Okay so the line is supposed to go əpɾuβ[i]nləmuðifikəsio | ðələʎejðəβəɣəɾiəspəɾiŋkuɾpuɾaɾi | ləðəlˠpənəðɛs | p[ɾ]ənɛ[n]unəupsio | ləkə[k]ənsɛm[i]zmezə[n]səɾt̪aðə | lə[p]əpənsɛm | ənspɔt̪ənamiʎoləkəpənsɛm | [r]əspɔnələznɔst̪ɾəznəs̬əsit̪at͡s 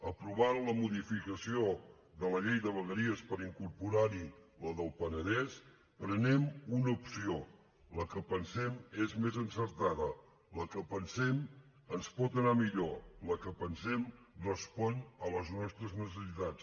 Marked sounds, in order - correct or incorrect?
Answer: incorrect: a, correct, incorrect: m, incorrect: p, incorrect: e, correct, incorrect: k, correct

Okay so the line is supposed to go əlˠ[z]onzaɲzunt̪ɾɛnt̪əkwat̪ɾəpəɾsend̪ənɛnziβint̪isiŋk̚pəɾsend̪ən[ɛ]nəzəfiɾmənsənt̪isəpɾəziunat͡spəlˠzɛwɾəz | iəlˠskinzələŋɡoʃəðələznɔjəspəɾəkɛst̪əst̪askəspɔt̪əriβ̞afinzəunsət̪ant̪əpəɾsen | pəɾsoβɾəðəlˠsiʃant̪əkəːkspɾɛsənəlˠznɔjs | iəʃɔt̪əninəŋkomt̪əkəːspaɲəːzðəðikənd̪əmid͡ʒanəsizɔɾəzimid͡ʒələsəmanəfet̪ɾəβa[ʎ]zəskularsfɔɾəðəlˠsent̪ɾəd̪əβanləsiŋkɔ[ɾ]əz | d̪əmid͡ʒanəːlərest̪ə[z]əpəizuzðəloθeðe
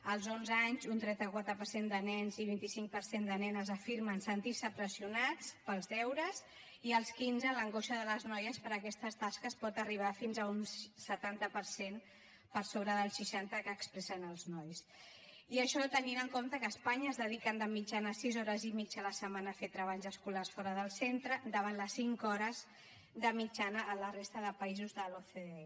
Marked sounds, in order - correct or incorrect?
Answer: correct, correct, correct, correct, incorrect: ð

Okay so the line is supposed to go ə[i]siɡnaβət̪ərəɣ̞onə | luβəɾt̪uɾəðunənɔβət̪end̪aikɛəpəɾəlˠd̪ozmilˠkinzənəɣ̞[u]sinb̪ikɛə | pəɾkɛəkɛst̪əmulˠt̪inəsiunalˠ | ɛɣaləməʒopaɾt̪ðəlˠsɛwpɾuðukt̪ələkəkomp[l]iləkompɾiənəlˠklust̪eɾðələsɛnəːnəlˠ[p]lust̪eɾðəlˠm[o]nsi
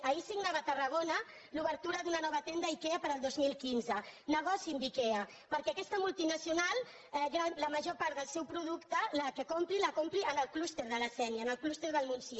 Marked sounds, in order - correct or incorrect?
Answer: correct, incorrect: ɔ, incorrect: ɾ, incorrect: k, incorrect: u

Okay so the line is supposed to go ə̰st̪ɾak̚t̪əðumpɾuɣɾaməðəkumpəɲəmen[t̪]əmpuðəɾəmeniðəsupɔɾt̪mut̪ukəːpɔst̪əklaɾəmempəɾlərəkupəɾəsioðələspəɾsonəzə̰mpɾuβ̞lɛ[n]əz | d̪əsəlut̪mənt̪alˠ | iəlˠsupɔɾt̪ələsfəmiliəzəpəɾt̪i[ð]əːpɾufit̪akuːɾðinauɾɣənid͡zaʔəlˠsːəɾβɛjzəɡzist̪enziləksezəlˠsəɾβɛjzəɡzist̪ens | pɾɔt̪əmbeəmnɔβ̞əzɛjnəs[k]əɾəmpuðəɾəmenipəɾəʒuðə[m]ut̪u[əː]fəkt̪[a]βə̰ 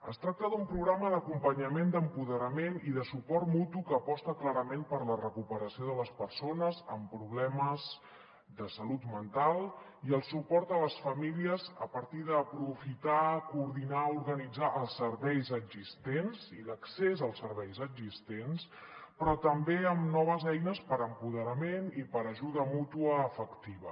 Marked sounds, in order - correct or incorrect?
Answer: incorrect: d̪, incorrect: m, correct, incorrect: p, correct, correct, incorrect: i

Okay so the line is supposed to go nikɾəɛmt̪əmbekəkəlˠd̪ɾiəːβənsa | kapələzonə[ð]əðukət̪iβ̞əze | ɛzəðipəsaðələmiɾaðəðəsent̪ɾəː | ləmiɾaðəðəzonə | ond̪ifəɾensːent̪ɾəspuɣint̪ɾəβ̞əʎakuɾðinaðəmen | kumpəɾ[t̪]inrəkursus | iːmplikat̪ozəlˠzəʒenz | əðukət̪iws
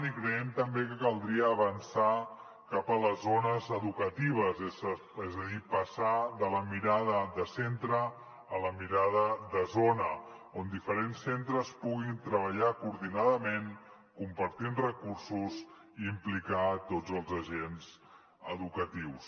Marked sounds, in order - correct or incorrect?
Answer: incorrect: z, correct

